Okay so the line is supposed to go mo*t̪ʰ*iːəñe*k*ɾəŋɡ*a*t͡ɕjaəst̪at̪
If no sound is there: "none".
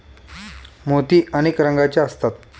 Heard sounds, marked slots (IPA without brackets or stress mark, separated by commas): t̪, k, a